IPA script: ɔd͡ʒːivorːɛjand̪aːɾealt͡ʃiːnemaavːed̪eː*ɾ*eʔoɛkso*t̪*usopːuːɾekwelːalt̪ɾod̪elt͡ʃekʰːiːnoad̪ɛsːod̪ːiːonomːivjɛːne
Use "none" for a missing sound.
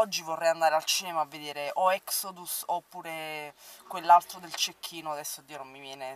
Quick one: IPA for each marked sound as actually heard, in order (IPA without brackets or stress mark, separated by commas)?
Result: ɾ, d̪